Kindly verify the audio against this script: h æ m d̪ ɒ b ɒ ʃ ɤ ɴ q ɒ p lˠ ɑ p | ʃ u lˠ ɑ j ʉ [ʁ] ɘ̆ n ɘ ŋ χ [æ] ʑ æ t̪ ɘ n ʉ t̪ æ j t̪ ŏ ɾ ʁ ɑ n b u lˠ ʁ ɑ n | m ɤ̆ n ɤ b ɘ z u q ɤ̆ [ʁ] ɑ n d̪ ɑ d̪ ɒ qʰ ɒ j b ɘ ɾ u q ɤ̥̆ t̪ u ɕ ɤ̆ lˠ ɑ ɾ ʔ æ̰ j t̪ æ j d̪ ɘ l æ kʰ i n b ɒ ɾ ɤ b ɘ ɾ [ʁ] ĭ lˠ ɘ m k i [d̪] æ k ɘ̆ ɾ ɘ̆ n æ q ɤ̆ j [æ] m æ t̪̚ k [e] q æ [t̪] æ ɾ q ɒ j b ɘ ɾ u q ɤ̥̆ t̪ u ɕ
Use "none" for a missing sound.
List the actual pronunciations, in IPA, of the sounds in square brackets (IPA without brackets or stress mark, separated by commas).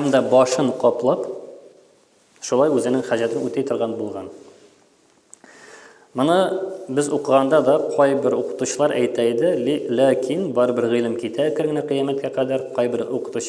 z, æ, ʁ, ʁ, t̪, æ, æ, d̪